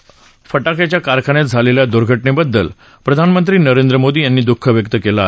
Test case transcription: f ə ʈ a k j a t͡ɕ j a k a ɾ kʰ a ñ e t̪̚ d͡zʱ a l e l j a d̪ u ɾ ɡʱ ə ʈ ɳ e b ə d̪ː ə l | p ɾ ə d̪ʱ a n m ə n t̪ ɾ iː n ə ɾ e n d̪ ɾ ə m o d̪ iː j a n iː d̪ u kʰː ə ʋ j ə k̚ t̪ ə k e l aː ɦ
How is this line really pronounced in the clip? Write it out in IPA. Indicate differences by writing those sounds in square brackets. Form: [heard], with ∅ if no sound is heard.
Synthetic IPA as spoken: f ə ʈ a k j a t͡ɕ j a k a ɾ kʰ a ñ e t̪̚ d͡zʱ a l e l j a d̪ u ɾ ɡʱ ə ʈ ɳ e b ə d̪ː ə l | p ɾ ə d̪ʱ a n m ə n t̪ ɾ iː n ə ɾ e n d̪ ɾ ə m o d̪ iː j a [nː] iː d̪ u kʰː ə ʋ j ə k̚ t̪ ə k e l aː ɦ